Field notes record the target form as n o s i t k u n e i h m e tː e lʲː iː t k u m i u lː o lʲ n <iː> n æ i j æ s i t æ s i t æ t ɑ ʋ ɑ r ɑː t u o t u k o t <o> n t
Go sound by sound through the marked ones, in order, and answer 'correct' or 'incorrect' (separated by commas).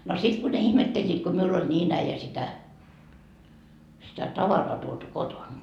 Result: correct, correct